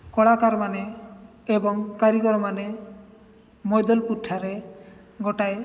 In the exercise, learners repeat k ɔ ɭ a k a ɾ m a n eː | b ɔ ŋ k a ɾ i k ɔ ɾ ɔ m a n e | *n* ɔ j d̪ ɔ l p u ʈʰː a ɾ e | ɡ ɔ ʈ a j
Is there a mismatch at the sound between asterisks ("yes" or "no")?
yes